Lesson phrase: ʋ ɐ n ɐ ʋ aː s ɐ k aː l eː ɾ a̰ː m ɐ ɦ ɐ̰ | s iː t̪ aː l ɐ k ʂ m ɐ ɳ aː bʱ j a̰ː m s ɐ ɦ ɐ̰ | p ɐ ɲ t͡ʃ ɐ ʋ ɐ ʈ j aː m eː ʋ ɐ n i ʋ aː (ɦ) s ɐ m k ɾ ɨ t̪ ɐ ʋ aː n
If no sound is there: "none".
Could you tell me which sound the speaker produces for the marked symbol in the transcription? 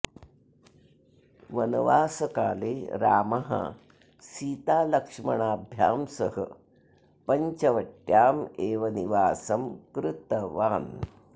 none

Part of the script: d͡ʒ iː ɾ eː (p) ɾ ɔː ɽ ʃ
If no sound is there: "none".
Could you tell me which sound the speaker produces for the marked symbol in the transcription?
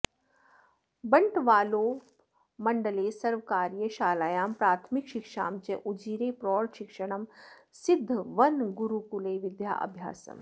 p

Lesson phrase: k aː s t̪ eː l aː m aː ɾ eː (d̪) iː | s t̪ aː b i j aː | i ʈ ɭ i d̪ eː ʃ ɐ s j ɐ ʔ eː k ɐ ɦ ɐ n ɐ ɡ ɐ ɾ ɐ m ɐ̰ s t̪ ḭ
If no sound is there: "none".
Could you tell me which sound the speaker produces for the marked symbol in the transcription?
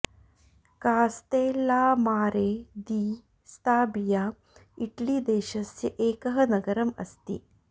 d̪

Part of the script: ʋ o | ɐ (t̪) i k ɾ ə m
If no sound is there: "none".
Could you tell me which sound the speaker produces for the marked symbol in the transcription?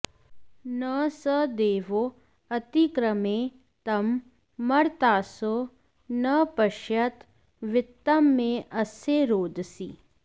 t̪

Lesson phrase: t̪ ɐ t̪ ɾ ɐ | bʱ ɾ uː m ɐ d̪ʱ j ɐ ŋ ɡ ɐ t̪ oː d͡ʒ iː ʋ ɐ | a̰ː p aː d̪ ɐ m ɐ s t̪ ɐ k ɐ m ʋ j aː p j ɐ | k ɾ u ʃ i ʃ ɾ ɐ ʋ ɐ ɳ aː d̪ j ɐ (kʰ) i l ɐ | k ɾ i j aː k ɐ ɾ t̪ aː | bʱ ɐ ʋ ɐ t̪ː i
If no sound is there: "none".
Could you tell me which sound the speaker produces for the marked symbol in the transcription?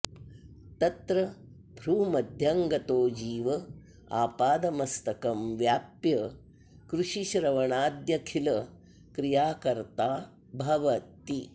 kʰ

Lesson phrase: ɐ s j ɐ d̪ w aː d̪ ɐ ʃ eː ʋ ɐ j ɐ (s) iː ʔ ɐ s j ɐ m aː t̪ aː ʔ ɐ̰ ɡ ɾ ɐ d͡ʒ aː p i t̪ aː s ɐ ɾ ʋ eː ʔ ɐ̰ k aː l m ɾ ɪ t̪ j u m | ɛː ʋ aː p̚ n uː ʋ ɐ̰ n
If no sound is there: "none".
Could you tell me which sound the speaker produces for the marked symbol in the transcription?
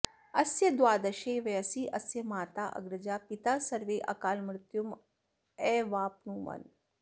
s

